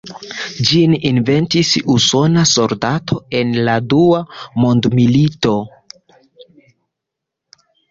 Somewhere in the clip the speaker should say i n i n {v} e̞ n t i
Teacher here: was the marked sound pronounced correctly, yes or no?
yes